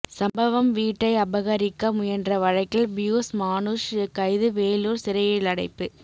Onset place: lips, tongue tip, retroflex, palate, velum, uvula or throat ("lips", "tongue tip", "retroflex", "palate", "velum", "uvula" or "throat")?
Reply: tongue tip